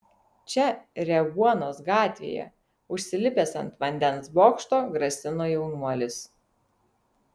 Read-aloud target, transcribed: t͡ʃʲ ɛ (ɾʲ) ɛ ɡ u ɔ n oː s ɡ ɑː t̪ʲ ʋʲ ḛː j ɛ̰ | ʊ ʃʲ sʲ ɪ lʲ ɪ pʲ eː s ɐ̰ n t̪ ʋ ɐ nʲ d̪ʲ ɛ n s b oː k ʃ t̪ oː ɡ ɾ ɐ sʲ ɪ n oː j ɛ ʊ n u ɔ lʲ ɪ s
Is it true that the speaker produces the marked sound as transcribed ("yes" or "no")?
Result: yes